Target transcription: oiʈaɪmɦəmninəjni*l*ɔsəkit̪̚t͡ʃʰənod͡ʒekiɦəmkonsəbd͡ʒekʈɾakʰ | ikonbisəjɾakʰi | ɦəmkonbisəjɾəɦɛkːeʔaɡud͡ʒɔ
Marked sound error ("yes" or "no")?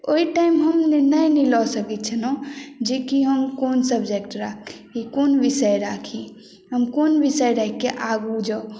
no